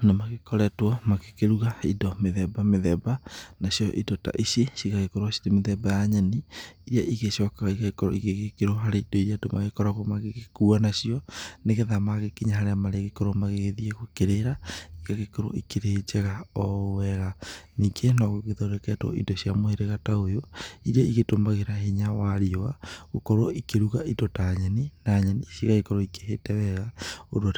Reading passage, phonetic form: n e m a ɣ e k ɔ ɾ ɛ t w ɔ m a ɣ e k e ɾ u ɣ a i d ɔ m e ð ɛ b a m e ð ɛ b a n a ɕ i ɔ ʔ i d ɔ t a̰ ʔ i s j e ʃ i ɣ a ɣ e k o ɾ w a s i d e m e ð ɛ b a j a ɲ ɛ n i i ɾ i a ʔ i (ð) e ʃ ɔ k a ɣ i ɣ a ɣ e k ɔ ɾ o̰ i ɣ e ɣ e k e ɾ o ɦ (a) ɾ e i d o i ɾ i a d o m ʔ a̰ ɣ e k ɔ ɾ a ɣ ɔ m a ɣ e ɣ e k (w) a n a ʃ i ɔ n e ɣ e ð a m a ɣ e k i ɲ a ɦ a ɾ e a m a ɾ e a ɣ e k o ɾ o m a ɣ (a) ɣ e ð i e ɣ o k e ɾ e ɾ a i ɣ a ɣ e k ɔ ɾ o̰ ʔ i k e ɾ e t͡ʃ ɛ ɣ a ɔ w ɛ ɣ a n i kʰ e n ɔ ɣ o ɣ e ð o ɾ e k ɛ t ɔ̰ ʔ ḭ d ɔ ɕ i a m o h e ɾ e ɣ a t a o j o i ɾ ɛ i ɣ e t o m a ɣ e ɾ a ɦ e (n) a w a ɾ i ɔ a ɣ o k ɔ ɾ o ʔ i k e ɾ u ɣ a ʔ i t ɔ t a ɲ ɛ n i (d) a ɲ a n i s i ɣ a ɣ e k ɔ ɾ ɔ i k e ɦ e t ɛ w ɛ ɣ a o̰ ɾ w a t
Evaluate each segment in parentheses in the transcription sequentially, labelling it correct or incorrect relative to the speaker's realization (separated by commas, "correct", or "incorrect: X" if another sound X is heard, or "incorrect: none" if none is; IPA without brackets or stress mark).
incorrect: ɣ, correct, incorrect: u, incorrect: e, incorrect: ɲ, incorrect: n